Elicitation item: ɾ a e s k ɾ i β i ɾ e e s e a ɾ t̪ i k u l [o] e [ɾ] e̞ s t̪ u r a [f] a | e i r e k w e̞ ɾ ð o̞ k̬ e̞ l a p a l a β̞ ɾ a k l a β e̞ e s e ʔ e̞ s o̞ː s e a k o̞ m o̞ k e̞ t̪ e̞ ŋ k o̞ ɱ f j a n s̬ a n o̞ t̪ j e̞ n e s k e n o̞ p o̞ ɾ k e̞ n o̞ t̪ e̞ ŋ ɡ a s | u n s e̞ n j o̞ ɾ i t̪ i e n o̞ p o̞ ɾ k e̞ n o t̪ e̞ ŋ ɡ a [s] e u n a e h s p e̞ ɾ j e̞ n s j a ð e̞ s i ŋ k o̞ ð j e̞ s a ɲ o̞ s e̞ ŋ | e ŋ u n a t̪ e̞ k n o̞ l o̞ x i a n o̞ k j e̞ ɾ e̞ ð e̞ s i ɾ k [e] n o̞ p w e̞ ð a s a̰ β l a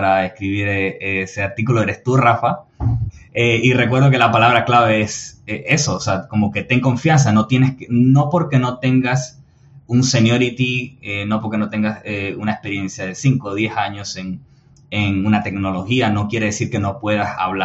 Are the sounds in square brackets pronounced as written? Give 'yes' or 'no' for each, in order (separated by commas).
yes, yes, yes, yes, yes